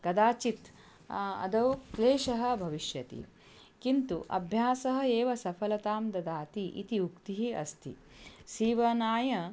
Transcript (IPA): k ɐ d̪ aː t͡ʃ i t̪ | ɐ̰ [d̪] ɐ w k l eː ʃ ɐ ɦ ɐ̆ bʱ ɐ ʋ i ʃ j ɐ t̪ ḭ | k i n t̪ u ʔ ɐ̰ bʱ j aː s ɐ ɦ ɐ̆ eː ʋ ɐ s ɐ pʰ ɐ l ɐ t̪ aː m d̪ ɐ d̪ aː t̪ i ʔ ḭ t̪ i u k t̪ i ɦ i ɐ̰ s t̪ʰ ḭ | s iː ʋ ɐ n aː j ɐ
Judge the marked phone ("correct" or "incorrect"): correct